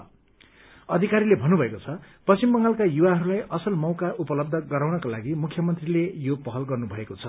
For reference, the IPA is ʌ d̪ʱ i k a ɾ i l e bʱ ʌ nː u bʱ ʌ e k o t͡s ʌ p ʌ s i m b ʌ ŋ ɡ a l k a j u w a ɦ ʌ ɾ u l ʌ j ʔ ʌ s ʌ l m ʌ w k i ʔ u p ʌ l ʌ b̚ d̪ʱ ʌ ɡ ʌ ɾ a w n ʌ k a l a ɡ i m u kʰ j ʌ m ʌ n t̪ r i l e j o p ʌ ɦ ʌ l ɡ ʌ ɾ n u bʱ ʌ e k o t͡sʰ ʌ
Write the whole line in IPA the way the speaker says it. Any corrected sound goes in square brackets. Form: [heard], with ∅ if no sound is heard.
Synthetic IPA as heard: ʌ d̪ʱ i k a ɾ i l e bʱ ʌ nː u bʱ ʌ e k o [t͡sʰ] ʌ p ʌ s i m b ʌ ŋ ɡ a l k a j u w a ɦ ʌ ɾ u l [a] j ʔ ʌ s ʌ l m ʌ w k [a] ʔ u p ʌ l ʌ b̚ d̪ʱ ʌ ɡ ʌ ɾ a w n ʌ k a l a ɡ i m u kʰ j ʌ m ʌ n t̪ r i l e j o p ʌ ɦ ʌ l ɡ ʌ [r] n u bʱ ʌ e k o t͡sʰ ʌ